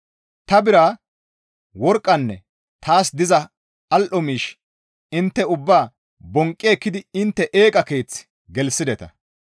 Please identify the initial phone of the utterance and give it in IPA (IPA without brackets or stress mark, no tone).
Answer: t̪